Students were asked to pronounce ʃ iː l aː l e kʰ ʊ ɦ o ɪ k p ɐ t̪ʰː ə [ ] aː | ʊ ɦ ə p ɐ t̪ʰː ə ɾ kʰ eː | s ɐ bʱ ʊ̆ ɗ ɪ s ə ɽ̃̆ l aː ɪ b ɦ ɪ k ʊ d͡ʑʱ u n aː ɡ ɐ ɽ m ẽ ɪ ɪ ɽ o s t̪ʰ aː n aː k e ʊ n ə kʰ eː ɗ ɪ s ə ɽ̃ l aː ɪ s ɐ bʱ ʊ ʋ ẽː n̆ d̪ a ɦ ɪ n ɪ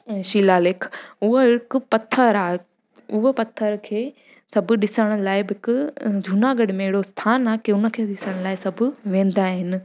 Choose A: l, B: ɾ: B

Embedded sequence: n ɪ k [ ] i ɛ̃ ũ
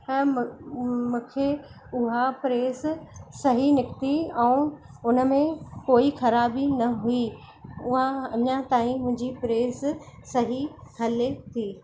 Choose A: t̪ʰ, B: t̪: B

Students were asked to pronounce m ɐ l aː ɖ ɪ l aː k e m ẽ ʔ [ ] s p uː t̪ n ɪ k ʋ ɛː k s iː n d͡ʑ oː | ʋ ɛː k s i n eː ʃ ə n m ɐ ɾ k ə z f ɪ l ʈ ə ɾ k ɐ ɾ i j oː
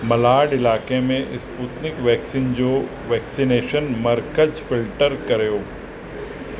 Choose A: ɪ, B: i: A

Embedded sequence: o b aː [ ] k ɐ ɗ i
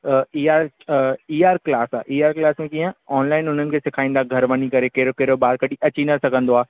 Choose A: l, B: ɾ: B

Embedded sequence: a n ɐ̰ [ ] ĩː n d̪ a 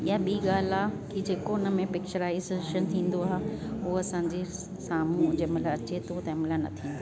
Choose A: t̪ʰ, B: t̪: A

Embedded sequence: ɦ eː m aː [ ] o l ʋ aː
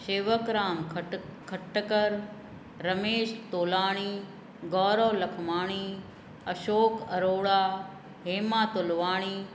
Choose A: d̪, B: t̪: B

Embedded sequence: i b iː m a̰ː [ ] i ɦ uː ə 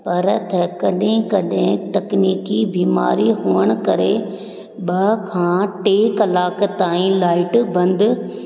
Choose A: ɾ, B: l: A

